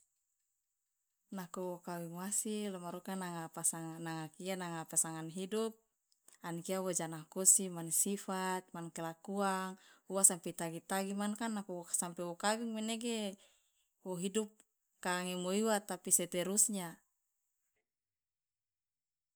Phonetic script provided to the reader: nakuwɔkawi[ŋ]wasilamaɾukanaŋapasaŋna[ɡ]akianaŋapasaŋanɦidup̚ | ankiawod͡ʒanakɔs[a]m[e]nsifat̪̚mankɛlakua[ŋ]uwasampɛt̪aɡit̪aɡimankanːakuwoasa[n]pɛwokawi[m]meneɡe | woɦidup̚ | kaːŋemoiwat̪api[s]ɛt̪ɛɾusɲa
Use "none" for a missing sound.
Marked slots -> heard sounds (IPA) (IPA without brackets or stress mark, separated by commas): ŋ, ŋ, i, a, ŋ, m, ŋ, s